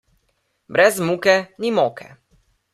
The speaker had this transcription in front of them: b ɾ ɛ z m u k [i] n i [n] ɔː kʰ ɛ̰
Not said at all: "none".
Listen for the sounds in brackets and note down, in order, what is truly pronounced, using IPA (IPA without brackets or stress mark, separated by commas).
ɛ, m